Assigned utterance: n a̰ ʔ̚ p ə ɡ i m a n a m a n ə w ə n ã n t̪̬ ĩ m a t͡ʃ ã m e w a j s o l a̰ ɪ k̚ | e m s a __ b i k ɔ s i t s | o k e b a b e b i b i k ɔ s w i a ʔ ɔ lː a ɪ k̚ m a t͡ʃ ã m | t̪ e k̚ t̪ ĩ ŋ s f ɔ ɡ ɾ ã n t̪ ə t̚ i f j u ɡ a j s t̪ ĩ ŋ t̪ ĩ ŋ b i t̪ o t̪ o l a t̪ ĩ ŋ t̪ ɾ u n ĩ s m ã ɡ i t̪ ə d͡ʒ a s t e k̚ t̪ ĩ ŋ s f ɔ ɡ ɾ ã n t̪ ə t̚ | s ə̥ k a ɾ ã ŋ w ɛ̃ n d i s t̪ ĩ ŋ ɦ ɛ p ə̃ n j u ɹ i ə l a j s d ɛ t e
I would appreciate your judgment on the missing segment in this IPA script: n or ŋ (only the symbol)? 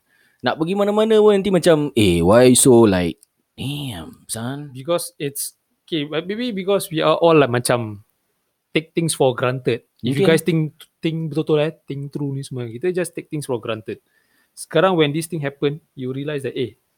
n